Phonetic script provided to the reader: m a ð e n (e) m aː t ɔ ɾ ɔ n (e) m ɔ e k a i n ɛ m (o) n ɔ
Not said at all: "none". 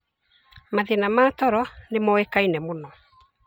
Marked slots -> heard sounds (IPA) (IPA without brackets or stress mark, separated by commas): a, e, o